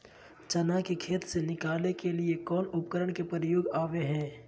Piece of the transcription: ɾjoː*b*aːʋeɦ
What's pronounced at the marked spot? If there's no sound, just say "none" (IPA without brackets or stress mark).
ɡ